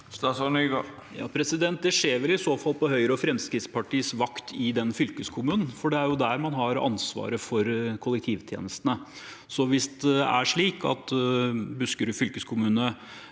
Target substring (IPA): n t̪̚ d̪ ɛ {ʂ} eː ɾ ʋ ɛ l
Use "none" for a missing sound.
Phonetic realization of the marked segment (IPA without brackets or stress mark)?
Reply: ʂ